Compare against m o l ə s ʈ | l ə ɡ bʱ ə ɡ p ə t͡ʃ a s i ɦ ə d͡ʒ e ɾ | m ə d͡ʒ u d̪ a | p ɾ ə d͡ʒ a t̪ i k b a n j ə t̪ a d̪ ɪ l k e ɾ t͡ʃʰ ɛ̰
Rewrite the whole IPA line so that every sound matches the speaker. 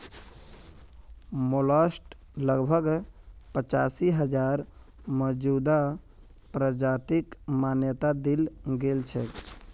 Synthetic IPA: m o l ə s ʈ | l ə ɡ bʱ ə ɡ p ə t͡ʃ a s i ɦ ə d͡ʒ a ɾ | m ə d͡ʒ u d̪ a | p ɾ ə d͡ʒ a t̪ i k m a n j ə t̪ a d̪ i l ɡ e l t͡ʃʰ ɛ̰